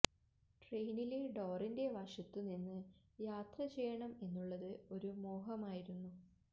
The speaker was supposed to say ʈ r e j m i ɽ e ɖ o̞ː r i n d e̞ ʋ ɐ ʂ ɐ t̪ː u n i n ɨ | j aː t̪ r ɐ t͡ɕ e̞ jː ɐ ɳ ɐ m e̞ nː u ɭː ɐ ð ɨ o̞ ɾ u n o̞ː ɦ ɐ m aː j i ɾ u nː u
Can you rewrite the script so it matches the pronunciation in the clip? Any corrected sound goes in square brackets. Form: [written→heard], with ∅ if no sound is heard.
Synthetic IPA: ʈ r e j [m→n] i [ɽ→l] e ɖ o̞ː r i n d e̞ ʋ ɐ ʂ ɐ t̪ː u n i [n→nː] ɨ | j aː t̪ r ɐ t͡ɕ e̞ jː ɐ ɳ ɐ m e̞ nː u ɭː ɐ ð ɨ o̞ ɾ u [n→m] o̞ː ɦ ɐ m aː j i ɾ u nː u